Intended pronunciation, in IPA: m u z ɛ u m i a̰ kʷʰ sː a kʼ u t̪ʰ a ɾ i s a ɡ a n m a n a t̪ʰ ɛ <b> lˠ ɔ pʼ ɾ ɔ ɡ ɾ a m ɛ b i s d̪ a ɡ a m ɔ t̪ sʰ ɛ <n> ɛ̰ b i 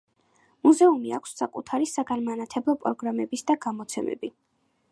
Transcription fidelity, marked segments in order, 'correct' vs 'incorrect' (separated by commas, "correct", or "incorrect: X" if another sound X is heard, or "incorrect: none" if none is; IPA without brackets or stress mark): correct, incorrect: m